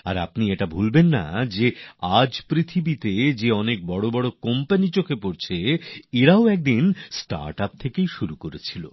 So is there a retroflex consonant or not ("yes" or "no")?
yes